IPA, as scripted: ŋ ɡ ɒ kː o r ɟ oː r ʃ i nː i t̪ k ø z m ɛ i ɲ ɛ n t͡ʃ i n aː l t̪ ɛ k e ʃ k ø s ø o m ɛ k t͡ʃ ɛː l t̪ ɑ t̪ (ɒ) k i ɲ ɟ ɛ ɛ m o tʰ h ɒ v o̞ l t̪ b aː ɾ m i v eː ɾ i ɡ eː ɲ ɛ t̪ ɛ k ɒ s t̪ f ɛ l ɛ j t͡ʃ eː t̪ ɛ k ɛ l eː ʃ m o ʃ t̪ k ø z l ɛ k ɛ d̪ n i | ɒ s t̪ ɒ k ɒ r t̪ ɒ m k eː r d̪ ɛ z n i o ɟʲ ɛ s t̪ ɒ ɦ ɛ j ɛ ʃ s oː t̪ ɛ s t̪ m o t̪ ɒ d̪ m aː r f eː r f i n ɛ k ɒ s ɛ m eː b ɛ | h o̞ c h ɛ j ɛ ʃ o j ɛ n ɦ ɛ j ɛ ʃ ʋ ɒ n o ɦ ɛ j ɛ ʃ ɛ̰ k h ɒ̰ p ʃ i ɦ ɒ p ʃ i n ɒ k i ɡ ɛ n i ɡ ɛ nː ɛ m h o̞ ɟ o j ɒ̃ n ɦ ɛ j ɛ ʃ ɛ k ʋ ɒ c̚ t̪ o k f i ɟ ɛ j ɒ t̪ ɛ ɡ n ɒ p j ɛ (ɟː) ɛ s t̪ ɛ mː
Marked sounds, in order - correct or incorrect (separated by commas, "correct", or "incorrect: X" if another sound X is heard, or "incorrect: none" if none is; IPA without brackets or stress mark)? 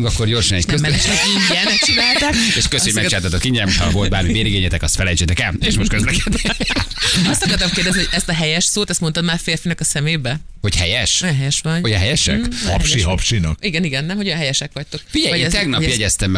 incorrect: o, incorrect: ɟ